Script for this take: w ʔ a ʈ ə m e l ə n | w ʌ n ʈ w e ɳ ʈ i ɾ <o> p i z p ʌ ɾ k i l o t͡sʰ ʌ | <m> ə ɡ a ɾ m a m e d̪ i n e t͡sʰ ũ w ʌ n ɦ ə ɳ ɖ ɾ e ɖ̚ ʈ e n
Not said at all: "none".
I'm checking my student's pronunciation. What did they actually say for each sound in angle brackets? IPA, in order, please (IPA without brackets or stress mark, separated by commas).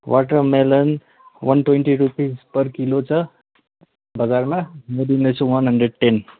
u, b